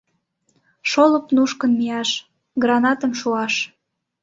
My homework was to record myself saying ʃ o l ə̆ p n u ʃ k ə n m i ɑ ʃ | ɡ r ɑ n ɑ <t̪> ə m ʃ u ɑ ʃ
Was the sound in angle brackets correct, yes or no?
yes